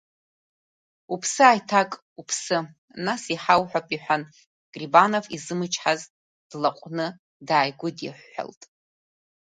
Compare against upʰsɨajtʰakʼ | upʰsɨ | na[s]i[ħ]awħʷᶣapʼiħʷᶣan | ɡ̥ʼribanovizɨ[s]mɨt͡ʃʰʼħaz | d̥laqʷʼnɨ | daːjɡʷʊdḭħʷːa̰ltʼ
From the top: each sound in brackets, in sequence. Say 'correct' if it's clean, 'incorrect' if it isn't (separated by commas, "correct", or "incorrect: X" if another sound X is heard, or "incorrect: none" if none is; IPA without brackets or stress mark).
correct, correct, incorrect: none